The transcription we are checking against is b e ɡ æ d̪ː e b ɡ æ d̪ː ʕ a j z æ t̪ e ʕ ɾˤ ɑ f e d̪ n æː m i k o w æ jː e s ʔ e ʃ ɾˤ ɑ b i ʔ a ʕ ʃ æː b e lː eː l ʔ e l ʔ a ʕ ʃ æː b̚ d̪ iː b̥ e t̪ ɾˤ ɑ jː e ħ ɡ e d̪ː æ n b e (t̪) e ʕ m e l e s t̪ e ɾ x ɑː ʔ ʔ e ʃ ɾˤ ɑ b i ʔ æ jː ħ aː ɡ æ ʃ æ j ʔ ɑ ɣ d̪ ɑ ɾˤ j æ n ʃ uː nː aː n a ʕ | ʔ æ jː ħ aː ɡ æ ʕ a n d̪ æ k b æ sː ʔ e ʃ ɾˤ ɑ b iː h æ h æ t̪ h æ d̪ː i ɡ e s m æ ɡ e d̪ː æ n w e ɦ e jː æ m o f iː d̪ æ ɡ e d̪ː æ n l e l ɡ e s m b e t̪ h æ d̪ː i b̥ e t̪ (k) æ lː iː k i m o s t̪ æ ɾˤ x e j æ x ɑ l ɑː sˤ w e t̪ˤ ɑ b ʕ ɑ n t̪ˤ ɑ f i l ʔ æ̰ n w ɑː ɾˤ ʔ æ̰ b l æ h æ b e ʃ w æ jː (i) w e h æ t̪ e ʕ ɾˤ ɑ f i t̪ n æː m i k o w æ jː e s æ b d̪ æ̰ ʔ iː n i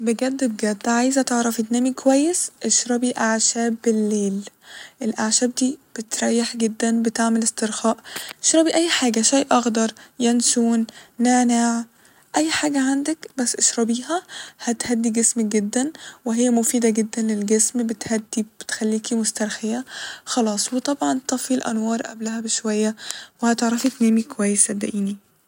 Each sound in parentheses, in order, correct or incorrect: correct, incorrect, incorrect

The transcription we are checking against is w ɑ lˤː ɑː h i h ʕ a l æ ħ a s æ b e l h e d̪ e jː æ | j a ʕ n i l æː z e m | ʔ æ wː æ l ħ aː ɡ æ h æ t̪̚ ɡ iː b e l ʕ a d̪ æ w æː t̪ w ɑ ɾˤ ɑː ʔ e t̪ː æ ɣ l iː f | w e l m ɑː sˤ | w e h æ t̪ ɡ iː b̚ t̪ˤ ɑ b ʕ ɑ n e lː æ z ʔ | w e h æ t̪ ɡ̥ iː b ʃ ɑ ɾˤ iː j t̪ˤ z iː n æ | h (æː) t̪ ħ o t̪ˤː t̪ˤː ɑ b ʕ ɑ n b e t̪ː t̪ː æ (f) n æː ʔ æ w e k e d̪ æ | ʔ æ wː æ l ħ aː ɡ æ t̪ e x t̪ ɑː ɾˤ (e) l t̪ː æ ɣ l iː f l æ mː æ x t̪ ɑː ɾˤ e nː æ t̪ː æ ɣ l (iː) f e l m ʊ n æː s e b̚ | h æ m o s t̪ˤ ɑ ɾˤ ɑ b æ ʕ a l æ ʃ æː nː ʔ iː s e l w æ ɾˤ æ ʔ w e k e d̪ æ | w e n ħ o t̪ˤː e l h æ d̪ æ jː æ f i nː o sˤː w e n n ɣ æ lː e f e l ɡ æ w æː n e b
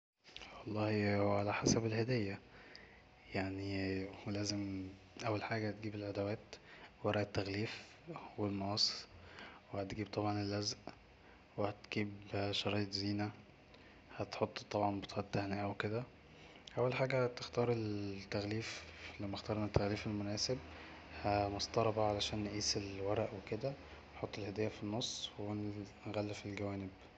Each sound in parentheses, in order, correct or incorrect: incorrect, incorrect, correct, correct

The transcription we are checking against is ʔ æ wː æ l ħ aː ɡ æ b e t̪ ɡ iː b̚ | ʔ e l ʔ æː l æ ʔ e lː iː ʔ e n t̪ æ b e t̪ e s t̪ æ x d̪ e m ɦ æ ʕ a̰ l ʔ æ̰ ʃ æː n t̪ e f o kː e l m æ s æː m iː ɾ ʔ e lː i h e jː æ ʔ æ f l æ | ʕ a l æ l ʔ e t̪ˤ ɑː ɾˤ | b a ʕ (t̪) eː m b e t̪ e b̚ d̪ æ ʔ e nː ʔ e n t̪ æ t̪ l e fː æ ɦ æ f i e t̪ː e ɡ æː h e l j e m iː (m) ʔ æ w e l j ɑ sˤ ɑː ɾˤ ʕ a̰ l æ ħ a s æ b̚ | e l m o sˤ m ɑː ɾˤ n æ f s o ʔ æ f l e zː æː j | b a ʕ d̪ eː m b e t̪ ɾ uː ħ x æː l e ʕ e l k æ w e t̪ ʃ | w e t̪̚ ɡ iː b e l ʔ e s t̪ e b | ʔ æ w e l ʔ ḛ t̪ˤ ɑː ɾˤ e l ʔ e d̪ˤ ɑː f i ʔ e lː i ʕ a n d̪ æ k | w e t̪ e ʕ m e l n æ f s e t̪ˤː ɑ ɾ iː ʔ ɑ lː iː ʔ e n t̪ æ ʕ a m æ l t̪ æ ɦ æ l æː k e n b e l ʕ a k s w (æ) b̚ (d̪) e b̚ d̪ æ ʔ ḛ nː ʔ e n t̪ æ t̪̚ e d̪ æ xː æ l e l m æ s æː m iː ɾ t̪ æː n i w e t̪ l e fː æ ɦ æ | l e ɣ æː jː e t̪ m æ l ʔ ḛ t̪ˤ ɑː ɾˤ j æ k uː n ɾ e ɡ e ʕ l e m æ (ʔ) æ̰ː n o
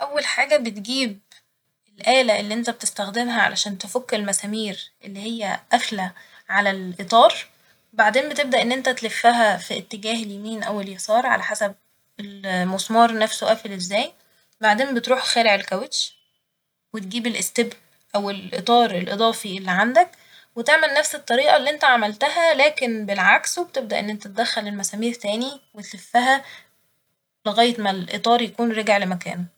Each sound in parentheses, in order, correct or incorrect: incorrect, incorrect, incorrect, incorrect, incorrect

